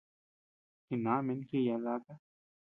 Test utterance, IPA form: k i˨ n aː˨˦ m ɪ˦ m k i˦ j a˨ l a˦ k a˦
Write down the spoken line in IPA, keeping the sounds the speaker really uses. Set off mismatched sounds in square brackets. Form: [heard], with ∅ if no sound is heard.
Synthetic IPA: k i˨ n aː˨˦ m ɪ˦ [n] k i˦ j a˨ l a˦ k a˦